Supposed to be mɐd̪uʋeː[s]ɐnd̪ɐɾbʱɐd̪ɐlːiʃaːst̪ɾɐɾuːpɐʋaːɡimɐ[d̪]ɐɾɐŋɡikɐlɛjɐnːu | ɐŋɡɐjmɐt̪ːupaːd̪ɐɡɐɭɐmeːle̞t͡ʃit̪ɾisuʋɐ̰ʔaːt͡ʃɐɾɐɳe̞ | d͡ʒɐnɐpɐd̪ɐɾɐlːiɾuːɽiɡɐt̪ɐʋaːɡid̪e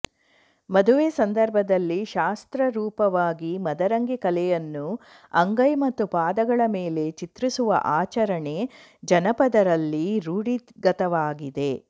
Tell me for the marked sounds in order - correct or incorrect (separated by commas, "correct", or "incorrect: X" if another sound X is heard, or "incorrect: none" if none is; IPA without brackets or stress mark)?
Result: correct, correct